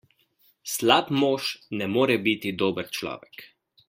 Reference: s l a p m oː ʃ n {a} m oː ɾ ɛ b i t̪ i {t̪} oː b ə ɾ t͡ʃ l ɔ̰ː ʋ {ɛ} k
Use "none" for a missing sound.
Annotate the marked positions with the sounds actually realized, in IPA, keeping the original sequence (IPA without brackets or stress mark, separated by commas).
ɛ, d̪, ɛ